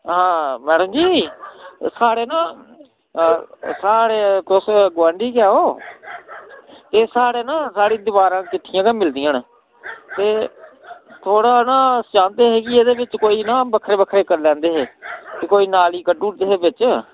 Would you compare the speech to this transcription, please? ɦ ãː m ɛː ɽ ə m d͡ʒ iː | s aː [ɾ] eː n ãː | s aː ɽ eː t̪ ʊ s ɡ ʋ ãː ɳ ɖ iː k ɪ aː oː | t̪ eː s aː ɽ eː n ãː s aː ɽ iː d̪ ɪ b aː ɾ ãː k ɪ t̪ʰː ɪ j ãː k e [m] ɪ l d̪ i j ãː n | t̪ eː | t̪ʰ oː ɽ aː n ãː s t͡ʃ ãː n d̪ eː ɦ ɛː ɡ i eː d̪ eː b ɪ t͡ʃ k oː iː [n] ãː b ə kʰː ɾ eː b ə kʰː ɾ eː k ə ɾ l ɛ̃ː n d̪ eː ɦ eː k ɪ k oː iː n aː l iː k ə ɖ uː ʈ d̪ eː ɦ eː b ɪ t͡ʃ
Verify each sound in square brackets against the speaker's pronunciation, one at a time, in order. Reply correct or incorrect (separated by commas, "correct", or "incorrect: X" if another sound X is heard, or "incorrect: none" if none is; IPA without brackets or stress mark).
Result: incorrect: ɽ, correct, correct